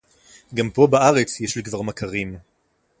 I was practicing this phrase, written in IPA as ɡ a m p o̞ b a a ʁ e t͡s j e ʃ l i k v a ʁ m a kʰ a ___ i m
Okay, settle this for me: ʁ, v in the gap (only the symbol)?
ʁ